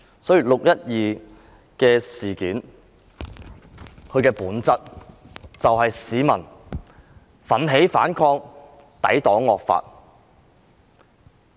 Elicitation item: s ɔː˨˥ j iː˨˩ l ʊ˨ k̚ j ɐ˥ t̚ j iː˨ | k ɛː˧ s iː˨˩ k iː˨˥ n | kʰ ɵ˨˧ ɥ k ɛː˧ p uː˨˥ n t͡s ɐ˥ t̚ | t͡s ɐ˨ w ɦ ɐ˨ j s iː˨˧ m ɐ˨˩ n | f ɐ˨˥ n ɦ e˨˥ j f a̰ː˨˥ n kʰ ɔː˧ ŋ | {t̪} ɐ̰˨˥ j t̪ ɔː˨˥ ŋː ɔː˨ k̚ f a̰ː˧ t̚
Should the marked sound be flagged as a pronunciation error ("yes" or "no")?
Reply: no